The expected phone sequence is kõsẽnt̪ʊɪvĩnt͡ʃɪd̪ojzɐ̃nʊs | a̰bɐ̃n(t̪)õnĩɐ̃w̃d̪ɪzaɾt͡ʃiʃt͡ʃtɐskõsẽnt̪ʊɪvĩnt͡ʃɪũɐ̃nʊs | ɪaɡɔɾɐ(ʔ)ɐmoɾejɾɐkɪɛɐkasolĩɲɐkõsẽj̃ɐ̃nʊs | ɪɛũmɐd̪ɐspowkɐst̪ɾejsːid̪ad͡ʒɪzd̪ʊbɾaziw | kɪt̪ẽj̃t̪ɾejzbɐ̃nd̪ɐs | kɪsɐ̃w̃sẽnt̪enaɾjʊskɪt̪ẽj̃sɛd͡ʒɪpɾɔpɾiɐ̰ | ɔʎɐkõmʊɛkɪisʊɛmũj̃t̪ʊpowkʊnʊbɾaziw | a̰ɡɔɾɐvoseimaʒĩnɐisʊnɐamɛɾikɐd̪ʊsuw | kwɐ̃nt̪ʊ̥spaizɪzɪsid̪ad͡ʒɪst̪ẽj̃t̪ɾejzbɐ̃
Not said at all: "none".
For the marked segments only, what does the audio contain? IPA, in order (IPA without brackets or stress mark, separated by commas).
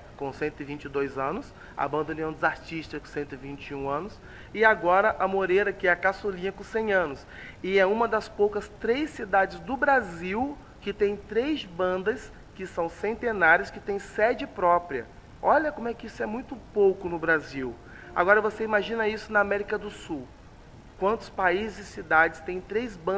d̪, ʔ